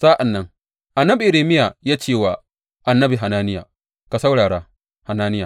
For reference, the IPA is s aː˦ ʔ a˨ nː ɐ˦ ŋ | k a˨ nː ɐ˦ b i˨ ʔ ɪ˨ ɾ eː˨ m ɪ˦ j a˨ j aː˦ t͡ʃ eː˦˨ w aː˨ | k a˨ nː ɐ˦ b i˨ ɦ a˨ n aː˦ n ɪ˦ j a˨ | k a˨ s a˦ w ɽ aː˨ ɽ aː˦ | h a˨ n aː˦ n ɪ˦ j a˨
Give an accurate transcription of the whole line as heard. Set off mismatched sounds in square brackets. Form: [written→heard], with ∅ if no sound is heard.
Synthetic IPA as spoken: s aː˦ ʔ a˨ nː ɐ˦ ŋ | [k→ʔ] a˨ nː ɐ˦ b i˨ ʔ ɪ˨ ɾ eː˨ m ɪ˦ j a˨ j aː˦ t͡ʃ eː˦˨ w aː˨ | [k→ʔ] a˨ nː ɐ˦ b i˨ ɦ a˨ n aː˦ n ɪ˦ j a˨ | k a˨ s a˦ w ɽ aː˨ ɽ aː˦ | h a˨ n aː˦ n ɪ˦ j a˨